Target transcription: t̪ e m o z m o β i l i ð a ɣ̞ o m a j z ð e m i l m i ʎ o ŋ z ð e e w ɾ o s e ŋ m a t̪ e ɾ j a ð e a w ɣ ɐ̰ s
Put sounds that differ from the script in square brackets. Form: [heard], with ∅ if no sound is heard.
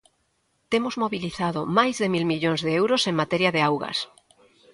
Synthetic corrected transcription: t̪ e m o z m o β i l i [θ] a [ð̞] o m a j z ð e m i l m i ʎ o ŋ z ð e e w ɾ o s e ŋ m a t̪ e ɾ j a ð e a w ɣ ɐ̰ s